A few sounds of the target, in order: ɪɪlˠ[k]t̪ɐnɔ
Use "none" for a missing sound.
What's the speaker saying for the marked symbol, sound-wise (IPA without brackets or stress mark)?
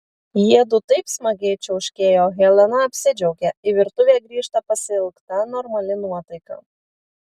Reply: k